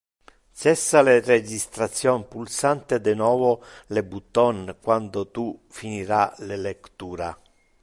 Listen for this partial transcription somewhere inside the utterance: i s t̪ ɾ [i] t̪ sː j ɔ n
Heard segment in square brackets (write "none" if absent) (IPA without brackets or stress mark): a